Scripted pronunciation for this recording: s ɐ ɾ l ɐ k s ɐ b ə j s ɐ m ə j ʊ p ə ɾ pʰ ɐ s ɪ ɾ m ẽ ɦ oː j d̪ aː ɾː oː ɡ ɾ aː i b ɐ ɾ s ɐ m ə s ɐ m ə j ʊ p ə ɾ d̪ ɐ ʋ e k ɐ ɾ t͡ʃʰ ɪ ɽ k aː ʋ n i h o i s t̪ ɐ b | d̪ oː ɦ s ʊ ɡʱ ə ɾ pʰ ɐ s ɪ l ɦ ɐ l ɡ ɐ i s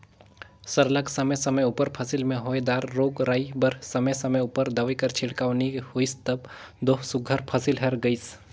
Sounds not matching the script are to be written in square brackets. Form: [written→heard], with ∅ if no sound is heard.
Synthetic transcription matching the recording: s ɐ ɾ l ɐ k s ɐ [b→m] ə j s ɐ m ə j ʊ p ə ɾ pʰ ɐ s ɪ [ɾ→l] m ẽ ɦ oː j d̪ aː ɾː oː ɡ ɾ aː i b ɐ ɾ s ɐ m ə s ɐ m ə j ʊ p ə ɾ d̪ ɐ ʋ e k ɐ ɾ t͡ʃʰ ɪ ɽ k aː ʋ n i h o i s t̪ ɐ b | d̪ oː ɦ s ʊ ɡʱ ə ɾ pʰ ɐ s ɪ l ɦ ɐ [l→ɾ] ɡ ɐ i s